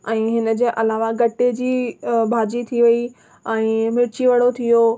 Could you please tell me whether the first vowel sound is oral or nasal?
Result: nasal